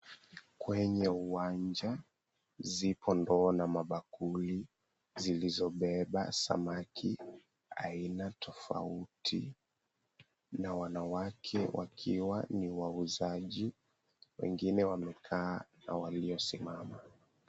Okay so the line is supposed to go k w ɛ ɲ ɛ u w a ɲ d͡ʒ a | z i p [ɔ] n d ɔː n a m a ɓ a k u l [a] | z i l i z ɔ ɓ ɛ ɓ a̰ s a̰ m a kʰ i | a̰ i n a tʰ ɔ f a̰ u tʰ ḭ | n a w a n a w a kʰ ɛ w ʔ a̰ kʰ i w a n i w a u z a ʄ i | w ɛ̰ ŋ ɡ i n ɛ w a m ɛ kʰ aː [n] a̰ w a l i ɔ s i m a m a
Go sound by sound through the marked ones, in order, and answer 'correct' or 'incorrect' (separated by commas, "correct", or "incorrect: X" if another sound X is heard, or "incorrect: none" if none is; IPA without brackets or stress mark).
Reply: correct, incorrect: i, correct